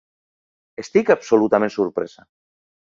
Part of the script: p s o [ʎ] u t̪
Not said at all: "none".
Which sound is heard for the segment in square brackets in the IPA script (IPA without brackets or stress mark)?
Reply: l